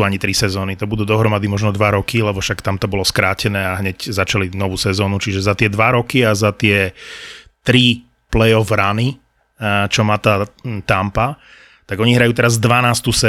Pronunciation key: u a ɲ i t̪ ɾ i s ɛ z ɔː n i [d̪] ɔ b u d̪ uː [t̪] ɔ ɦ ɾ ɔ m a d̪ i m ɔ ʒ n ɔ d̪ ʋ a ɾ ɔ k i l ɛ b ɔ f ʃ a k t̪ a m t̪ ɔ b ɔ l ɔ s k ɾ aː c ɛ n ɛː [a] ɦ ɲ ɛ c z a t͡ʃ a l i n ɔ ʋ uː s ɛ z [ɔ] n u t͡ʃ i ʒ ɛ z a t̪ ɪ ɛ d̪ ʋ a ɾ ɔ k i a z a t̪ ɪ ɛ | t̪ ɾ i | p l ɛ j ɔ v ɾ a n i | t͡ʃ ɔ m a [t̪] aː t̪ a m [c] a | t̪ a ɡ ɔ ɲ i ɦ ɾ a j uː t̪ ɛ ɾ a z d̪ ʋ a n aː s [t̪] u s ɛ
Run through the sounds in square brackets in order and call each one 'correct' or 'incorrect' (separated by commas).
incorrect, incorrect, correct, incorrect, correct, incorrect, correct